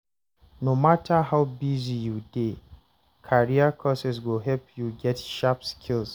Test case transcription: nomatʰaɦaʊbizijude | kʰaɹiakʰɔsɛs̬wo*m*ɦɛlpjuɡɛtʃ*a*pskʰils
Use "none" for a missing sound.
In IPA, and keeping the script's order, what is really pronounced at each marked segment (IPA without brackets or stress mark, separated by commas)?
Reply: none, a